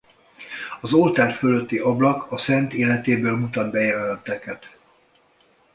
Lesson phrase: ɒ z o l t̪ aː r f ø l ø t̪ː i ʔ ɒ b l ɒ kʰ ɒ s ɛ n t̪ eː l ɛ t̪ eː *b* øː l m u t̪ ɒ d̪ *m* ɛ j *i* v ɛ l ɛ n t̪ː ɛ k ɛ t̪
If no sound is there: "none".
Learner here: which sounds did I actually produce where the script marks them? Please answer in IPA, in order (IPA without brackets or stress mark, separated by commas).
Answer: b, b, ɛ